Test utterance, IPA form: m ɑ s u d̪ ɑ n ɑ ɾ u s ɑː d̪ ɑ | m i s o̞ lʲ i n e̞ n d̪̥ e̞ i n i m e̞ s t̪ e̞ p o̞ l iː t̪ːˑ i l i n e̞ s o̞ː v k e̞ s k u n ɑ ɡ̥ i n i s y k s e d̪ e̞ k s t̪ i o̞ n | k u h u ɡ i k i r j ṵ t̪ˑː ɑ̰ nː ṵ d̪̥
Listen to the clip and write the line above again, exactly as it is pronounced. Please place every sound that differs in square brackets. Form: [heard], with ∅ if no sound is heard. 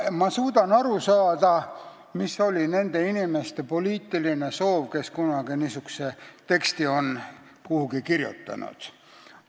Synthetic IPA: m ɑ s [uː] d̪ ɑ n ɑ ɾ u s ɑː d̪ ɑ | m i s o̞ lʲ i n e̞ n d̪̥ e̞ i n i m e̞ s t̪ e̞ p o̞ l iː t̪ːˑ i l i n e̞ s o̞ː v k e̞ s k u n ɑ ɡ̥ i n i s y k s e [t̪] e̞ k s t̪ i o̞ n | k u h u ɡ i k i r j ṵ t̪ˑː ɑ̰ [n] ṵ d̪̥